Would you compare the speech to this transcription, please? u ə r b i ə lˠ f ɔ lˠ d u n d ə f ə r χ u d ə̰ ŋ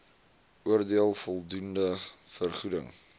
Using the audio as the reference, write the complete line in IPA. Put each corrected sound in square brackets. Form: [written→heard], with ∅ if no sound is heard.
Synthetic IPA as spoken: u ə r [b→d] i ə lˠ f ɔ lˠ d u n d ə f ə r χ u d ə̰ ŋ